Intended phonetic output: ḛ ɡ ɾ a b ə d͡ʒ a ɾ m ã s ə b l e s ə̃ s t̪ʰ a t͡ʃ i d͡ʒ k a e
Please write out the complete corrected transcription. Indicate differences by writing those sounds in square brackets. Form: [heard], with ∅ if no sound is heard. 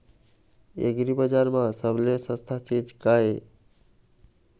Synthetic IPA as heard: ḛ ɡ ɾ [i] b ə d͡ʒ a ɾ m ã s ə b l e s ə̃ s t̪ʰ a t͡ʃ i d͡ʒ k a e